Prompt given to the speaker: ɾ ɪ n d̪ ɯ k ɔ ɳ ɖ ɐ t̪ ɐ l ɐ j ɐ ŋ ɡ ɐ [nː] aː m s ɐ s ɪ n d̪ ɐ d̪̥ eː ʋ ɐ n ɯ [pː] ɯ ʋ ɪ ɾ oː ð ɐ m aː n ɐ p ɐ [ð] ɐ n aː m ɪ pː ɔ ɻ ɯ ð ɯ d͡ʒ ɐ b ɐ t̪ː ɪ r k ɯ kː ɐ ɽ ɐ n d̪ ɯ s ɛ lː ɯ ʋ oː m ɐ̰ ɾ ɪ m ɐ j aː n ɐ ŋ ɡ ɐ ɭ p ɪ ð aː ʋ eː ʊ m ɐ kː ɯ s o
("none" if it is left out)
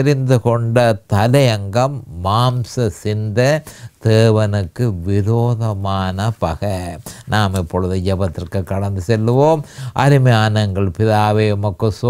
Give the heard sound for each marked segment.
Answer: mː, kː, ɣ

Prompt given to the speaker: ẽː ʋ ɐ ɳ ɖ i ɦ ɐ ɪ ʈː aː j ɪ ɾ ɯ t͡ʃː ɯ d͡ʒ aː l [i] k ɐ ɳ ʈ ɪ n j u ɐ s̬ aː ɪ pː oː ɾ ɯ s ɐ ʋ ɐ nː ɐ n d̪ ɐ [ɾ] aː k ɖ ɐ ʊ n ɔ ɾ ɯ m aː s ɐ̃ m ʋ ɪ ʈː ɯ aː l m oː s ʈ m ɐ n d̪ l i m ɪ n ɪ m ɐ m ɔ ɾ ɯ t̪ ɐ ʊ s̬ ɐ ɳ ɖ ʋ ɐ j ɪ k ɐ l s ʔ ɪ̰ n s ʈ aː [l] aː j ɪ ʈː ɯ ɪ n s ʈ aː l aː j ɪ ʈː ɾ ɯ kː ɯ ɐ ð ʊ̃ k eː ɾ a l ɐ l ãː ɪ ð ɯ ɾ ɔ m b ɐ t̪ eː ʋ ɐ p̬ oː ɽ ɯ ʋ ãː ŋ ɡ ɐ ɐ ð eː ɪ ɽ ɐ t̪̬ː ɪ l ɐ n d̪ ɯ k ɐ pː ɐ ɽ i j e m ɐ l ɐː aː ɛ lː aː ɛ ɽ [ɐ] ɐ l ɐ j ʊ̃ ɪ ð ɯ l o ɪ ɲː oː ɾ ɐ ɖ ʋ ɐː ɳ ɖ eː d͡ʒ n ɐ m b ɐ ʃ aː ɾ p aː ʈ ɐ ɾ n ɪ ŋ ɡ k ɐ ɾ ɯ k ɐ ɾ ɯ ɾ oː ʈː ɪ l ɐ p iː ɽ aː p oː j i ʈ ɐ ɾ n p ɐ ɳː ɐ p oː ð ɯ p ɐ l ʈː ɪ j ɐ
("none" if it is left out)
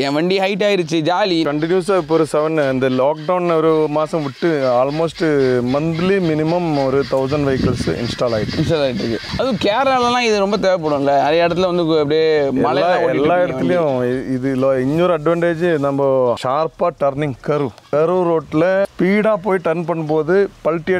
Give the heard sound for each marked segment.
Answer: i, l, l, ɐː

